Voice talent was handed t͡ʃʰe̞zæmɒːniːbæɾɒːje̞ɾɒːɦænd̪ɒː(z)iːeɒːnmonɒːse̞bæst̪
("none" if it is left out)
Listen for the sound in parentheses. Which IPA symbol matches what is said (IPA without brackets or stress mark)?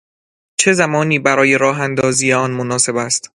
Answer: z